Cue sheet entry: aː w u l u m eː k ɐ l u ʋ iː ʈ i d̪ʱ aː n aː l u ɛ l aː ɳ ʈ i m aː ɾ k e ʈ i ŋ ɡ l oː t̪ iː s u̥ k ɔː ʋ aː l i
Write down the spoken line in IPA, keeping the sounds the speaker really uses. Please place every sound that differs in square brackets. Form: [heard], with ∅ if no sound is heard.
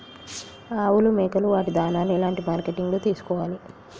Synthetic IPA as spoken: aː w u l u m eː k ɐ l u ʋ [aː] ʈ i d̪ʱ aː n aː l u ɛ l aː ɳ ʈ i m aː ɾ k e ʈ i ŋ ɡ l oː t̪ iː s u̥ k ɔː ʋ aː l i